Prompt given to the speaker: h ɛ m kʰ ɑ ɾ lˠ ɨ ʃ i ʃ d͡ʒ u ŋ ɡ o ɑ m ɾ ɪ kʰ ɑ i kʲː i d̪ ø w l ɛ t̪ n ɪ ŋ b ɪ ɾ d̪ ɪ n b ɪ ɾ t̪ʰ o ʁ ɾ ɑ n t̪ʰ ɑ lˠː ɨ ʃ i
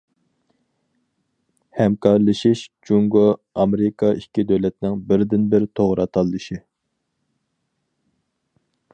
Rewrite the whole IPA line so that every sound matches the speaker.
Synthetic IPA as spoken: h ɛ m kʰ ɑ ɾ lˠ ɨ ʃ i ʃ d͡ʒ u ŋ ɡ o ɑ m ɾ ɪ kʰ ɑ i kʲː i d̪ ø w l ɛ t̪ n ɪ ŋ b ɪ ɾ d̪ ɪ n b ɪ ɾ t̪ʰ o ʁ ɾ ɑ t̪ʰ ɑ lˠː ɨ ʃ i